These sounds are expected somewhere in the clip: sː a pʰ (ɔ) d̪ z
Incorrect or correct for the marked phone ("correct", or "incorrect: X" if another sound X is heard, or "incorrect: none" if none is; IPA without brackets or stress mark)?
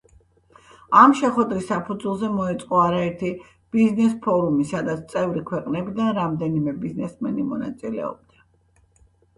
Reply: incorrect: u